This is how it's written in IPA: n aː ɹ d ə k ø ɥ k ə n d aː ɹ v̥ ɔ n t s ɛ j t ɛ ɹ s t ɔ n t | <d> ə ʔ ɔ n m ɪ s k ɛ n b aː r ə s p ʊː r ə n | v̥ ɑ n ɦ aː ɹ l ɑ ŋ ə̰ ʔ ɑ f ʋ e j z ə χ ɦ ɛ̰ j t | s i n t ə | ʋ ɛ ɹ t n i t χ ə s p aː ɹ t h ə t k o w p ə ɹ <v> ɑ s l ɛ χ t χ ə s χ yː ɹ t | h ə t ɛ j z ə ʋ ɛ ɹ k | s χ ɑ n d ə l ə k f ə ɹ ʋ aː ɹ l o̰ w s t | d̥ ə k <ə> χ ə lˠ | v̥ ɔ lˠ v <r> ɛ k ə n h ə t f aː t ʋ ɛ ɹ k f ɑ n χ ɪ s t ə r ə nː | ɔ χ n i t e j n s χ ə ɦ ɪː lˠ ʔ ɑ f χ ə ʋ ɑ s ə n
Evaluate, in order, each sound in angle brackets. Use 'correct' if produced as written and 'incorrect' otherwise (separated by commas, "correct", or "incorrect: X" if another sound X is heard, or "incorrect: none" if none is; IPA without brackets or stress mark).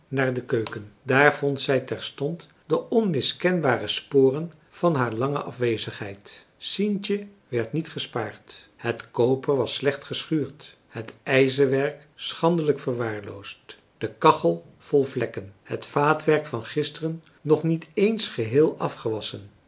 correct, incorrect: ʋ, incorrect: ɑ, incorrect: l